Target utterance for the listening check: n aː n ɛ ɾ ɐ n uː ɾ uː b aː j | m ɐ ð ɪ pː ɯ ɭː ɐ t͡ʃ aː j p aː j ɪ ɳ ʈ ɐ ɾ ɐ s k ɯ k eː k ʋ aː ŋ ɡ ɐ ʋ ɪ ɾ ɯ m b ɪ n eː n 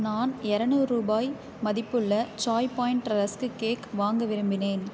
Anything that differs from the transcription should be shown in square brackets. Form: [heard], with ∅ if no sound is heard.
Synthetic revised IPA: n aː n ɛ ɾ ɐ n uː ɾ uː b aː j | m ɐ ð ɪ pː ɯ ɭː ɐ t͡ʃ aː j p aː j ɪ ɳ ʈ ɐ ɾ ɐ s k ɯ k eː k ʋ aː ŋ ɡ ɐ ʋ ɪ ɾ ɯ m b ɪ n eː n